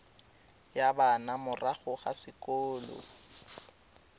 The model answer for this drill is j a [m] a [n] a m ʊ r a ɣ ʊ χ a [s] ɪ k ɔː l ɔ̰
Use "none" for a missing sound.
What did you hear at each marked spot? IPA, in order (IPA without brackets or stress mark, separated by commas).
b, n, s